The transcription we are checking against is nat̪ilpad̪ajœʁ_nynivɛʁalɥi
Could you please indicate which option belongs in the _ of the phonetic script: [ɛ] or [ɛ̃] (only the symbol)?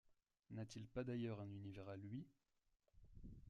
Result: ɛ̃